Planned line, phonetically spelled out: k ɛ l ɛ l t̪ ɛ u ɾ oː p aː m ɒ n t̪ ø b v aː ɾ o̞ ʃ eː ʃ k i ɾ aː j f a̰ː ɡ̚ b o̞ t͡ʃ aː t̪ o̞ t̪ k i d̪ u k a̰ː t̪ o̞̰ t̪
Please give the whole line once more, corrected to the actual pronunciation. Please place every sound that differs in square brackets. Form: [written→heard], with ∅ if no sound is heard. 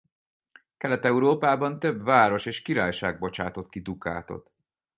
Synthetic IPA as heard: k ɛ l ɛ [l→∅] t̪ ɛ u ɾ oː p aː [m→b] ɒ n t̪ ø b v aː ɾ o̞ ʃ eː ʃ k i ɾ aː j [f→ʃ] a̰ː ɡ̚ b o̞ t͡ʃ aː t̪ o̞ t̪ k i d̪ u k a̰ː t̪ o̞̰ t̪